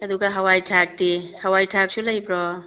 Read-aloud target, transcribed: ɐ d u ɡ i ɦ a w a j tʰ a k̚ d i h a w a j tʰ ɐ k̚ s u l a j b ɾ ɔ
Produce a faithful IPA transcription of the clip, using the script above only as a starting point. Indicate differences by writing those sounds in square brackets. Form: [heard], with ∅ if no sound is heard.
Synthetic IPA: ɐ d u ɡ [a] ɦ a w a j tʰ a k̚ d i h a w a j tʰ [a] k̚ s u l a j b ɾ ɔ